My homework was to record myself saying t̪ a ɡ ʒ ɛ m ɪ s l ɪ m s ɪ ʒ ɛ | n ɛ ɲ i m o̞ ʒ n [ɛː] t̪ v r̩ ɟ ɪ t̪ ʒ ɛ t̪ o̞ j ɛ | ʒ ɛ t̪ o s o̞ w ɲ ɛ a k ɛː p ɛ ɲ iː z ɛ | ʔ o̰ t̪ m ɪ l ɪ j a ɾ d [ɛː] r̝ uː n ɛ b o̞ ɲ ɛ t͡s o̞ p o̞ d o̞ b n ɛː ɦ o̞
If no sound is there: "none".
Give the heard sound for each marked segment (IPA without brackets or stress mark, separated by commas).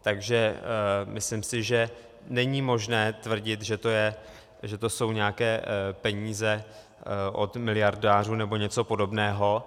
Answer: ɛː, aː